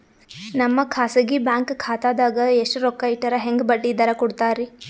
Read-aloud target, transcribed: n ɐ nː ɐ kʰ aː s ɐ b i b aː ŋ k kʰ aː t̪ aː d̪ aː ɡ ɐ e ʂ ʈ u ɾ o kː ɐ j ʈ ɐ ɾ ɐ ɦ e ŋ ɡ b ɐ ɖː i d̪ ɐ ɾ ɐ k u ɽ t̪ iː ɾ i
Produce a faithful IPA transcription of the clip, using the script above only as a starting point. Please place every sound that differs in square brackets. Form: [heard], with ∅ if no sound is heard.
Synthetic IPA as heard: n ɐ [mː] ɐ kʰ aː s ɐ [ɡ] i b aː ŋ k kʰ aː t̪ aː d̪ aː ɡ ɐ e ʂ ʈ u ɾ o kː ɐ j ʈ ɐ ɾ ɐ ɦ e ŋ ɡ b ɐ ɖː i d̪ ɐ ɾ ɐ k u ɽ t̪ [aː] ɾ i